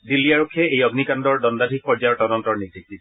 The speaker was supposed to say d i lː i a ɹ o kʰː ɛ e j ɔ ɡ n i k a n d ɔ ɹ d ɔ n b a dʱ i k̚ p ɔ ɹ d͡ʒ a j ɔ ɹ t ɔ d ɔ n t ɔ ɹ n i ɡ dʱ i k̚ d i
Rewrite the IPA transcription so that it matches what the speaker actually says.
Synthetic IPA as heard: d i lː i a ɹ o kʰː ɛ e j ɔ ɡ n i k a n d ɔ ɹ d ɔ n d a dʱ i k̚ p ɔ ɹ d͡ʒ a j ɔ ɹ t ɔ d ɔ n t ɔ ɹ n i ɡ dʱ i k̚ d i